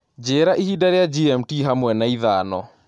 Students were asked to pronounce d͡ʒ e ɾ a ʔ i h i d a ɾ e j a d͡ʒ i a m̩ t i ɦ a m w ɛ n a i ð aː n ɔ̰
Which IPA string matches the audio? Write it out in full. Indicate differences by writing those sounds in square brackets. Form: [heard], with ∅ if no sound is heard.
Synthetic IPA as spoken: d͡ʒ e ɾ a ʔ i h i d a ɾ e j a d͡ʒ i [ɛ] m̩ t i ɦ a m w ɛ n a i ð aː n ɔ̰